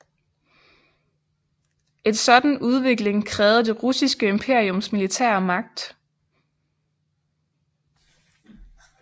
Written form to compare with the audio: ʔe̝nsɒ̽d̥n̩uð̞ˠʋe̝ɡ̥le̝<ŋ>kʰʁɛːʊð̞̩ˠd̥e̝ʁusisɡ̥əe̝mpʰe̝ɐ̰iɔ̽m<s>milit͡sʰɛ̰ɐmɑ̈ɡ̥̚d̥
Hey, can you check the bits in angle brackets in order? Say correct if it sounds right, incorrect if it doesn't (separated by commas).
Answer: correct, correct